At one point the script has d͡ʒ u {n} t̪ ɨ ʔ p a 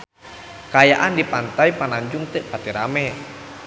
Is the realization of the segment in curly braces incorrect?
yes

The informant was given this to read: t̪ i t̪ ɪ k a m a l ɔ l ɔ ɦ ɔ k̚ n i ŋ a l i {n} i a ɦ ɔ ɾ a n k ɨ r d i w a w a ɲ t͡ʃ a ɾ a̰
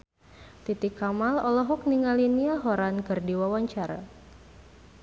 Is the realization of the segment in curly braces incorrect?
no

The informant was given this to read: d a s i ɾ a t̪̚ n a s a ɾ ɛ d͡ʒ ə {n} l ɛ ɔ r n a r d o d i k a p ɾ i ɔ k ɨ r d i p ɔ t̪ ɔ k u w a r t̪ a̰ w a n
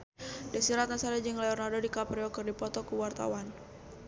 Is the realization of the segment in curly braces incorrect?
yes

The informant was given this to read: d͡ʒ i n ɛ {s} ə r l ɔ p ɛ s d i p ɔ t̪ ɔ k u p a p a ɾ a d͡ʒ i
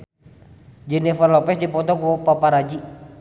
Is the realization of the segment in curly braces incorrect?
yes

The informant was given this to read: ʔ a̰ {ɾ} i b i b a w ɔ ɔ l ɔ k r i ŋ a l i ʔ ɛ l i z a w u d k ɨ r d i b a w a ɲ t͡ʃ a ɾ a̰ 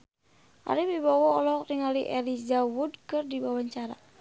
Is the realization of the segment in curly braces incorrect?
no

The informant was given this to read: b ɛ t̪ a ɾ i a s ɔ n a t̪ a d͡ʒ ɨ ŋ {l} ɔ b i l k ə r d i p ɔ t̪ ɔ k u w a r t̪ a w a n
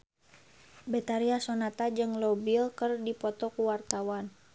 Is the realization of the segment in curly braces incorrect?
no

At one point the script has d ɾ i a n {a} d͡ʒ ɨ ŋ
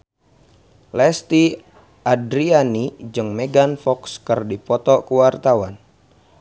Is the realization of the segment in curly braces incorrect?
yes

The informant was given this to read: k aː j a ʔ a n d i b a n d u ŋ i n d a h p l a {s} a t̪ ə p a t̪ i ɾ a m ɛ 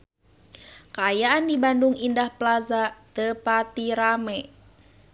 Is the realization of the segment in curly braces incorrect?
yes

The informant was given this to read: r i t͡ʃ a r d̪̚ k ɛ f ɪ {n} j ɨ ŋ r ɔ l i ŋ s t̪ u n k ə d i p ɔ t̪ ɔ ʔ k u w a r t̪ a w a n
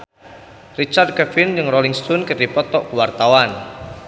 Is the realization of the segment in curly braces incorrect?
no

